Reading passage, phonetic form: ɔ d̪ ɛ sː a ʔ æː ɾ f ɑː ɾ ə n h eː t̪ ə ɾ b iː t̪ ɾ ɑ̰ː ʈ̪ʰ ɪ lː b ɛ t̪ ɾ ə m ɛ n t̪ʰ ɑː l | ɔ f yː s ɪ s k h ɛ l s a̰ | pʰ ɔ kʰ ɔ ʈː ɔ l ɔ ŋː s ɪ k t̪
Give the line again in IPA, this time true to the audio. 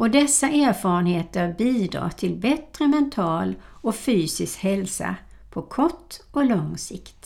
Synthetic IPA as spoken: ɔ d̪ ɛ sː a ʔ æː ɾ f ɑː ɾ ə n h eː t̪ ə ɾ b iː d̪ ɾ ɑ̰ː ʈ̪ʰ ɪ l b ɛ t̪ ɾ ə m ɛ n t̪ʰ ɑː l | ɔ f yː s ɪ s k h ɛ l s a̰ | pʰ ɔ kʰ ɔ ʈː ɔ l ɔ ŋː s ɪ k t̪